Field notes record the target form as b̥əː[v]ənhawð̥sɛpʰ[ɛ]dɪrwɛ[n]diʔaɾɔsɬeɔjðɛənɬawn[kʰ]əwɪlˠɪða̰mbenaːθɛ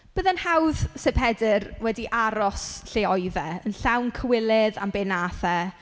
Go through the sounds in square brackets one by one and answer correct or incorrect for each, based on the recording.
incorrect, correct, incorrect, correct

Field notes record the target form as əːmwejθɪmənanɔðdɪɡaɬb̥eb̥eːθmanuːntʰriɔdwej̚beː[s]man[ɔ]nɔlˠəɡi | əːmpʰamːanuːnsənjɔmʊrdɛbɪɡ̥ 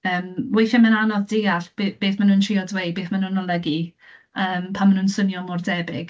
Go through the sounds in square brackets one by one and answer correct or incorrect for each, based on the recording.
incorrect, incorrect

